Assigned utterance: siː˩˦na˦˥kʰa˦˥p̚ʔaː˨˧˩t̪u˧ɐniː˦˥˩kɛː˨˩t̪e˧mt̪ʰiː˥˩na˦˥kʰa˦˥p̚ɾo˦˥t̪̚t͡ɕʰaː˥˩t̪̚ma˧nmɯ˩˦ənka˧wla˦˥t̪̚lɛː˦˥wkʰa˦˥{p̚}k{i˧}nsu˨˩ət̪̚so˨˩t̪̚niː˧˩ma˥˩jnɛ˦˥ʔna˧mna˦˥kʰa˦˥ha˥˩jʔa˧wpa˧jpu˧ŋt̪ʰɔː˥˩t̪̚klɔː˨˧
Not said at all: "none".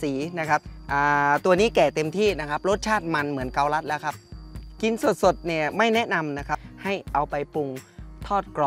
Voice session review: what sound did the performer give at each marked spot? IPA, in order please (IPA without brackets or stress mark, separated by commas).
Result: p̚, i˧